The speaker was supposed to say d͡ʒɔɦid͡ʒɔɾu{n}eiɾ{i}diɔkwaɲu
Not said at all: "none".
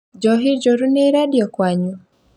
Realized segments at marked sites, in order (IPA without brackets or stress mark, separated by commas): n, a